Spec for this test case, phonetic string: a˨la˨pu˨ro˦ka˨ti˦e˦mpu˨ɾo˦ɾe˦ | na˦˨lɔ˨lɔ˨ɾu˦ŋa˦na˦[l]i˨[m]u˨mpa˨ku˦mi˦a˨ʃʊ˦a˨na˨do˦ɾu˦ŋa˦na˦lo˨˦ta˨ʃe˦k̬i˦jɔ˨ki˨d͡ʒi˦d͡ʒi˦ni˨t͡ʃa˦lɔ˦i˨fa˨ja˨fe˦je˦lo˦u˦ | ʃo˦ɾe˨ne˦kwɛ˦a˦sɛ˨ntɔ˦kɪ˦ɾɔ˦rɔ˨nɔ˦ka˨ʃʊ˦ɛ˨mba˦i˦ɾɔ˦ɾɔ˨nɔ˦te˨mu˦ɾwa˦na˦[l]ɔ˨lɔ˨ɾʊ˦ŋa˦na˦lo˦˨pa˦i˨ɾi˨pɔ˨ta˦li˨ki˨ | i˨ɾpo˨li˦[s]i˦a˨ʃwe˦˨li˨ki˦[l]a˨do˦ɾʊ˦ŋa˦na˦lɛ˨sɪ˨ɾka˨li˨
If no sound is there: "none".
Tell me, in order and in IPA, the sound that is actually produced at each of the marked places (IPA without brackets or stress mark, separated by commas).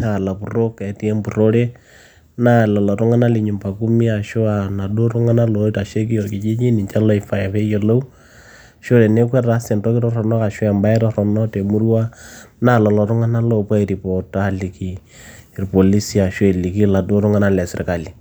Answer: l, ɲ, l, s, l